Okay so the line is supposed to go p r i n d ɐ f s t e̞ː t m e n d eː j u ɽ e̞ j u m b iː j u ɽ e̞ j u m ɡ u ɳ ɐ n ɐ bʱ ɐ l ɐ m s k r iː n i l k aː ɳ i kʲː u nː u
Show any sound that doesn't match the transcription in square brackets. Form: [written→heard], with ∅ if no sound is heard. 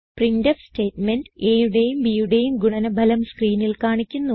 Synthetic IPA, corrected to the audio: p r i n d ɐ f s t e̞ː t m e n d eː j u ɽ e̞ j u m b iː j u ɽ e̞ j u m ɡ u ɳ ɐ n ɐ bʱ ɐ l ɐ m s k r iː n i l k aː ɳ i kʲː u nː u

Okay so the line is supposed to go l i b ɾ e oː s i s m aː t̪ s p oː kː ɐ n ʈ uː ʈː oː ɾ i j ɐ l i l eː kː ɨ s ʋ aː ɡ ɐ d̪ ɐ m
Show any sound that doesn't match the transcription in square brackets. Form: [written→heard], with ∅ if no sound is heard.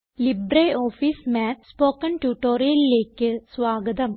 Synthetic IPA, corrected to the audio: l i b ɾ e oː [s→f] i s m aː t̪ s p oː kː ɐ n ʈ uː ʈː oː ɾ i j ɐ l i l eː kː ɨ s ʋ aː ɡ ɐ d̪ ɐ m

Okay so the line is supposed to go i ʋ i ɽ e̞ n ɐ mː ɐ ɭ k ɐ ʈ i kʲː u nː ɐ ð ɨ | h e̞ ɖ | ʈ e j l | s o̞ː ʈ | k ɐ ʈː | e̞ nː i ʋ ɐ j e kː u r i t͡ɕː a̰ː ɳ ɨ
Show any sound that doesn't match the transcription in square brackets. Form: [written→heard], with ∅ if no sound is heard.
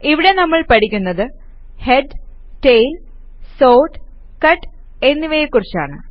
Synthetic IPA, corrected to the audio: i ʋ i ɽ e̞ n ɐ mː ɐ ɭ [k→p] ɐ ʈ i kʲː u nː ɐ ð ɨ | h e̞ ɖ | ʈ e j l | s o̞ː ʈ | k ɐ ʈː | e̞ nː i ʋ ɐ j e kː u r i t͡ɕː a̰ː ɳ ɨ

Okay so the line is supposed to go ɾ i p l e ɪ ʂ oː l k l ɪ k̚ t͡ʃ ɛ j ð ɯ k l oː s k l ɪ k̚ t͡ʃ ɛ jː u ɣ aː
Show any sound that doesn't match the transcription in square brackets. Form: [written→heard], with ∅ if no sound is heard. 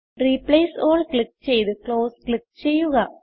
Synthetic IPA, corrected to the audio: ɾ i p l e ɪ [ʂ→s] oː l k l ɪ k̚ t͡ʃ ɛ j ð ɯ k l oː s k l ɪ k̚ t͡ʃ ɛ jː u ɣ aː

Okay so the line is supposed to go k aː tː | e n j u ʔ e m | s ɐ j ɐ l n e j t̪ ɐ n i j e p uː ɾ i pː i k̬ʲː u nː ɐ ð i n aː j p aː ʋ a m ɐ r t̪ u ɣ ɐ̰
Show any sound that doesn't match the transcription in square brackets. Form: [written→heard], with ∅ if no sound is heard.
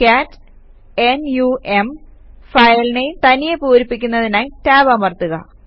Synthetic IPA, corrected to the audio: k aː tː | e n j u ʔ e m | [s→f] ɐ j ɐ l n e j t̪ ɐ n i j e p uː ɾ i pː i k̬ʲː u nː ɐ ð i n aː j [p→t] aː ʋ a m ɐ r t̪ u ɣ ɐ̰

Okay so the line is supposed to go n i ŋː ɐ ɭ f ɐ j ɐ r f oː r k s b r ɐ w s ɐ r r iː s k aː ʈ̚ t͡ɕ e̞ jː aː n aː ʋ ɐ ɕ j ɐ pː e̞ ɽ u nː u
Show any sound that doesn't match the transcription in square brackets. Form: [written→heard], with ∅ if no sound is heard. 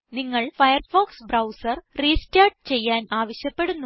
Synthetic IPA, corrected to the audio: n i ŋː ɐ ɭ f ɐ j ɐ r f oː [r→∅] k s b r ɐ w s ɐ r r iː s [k→t] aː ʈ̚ t͡ɕ e̞ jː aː n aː ʋ ɐ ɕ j ɐ pː e̞ ɽ u nː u

